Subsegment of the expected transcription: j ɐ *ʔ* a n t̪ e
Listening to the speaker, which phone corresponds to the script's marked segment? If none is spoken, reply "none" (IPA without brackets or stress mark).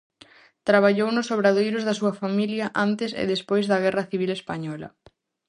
ʔ